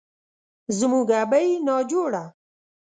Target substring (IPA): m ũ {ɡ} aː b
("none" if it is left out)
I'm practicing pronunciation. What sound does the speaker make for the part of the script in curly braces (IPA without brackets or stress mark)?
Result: ɡ